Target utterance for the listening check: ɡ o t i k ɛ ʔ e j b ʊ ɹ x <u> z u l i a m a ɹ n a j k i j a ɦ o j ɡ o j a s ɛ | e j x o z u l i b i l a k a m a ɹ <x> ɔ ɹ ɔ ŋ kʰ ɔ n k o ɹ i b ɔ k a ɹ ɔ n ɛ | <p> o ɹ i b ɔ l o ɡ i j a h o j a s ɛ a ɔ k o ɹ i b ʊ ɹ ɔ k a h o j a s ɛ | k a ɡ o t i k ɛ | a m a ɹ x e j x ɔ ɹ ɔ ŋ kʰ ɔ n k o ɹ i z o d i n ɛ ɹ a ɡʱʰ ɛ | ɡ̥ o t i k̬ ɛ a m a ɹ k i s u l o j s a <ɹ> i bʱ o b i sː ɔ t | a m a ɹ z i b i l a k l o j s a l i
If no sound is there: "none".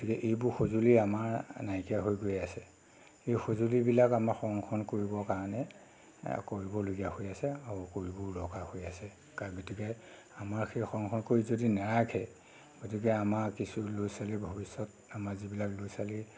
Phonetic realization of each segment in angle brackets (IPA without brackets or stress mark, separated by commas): o, x, k, l